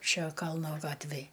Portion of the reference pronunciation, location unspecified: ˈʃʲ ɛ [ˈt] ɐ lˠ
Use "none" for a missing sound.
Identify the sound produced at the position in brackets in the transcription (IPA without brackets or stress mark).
k